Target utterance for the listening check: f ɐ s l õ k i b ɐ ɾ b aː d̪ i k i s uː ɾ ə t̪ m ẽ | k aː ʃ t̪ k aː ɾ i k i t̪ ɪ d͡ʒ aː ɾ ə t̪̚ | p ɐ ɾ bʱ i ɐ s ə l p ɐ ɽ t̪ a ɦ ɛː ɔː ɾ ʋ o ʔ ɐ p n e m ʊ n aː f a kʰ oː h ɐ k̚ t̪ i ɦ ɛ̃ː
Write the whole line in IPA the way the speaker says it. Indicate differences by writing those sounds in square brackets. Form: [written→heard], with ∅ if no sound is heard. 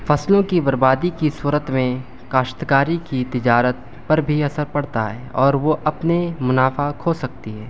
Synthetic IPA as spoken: f ɐ s l õ k i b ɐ ɾ b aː d̪ i k i s uː ɾ ə t̪ m ẽ | k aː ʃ t̪ k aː ɾ i k i t̪ ɪ d͡ʒ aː ɾ ə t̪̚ | p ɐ ɾ bʱ i ɐ s ə [l→ɾ] p ɐ ɽ t̪ a ɦ ɛː ɔː ɾ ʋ o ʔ ɐ p n e m ʊ n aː f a kʰ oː [h→s] ɐ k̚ t̪ i ɦ [ɛ̃ː→ɛː]